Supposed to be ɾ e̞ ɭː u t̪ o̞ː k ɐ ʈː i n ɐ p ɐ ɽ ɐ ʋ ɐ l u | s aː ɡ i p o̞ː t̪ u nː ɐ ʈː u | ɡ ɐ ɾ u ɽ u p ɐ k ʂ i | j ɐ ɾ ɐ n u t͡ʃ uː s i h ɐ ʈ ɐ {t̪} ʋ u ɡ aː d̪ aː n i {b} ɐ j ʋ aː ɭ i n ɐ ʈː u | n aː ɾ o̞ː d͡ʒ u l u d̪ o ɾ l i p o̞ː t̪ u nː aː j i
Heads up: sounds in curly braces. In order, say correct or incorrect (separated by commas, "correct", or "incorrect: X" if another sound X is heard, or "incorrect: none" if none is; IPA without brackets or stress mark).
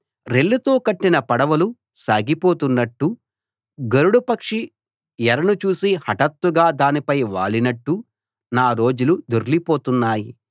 correct, incorrect: p